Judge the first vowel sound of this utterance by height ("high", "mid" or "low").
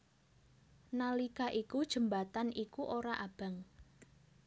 low